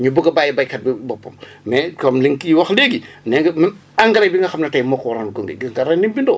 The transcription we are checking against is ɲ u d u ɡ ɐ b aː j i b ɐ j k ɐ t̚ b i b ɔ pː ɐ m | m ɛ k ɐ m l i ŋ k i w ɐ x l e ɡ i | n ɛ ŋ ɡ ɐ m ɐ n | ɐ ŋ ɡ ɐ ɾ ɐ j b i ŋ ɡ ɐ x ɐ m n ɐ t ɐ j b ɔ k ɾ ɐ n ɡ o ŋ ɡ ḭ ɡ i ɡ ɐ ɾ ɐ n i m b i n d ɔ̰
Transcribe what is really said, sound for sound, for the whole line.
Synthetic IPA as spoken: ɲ u b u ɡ ɐ b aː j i b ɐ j k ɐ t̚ b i b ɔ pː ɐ m | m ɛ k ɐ m l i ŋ k i w ɐ x l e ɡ i | n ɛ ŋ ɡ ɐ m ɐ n | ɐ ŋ ɡ ɐ ɾ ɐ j b i ŋ ɡ ɐ x ɐ m n ɐ t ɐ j m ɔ k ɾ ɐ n ɡ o ŋ ɡ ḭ ɡ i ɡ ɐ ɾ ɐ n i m b i n d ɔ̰